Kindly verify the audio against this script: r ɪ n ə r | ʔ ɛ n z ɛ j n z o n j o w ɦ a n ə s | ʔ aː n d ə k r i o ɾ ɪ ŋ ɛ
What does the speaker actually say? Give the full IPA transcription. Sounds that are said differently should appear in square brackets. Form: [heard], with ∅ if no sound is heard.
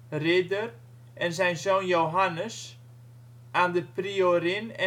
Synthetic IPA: r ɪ [d] ə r | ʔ ɛ n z ɛ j n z o n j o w ɦ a n ə s | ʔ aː n d ə [p] r i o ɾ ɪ [n] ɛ